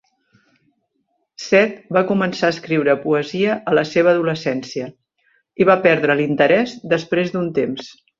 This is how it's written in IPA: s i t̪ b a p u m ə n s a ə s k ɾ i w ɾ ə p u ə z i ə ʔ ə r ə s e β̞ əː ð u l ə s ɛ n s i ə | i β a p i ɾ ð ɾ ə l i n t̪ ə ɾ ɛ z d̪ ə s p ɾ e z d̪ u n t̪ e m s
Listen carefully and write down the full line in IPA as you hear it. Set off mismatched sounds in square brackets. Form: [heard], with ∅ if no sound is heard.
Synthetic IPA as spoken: s [ɛ] t̪ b a [k] u m ə n s a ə s k ɾ i w ɾ ə p u ə z i ə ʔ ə [l] ə s e β̞ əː ð u l ə s ɛ n s i ə | i β a p [ɛ] ɾ ð ɾ ə l i n t̪ ə ɾ ɛ z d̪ ə s p ɾ e z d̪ u n t̪ e m s